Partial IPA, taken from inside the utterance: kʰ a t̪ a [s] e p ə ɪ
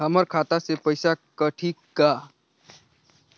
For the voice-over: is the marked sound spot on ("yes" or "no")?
yes